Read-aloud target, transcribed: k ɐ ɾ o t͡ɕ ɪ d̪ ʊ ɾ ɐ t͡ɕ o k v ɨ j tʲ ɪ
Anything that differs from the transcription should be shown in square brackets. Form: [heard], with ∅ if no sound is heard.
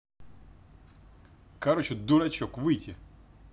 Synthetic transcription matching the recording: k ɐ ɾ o t͡ɕ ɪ d̪ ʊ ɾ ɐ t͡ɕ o k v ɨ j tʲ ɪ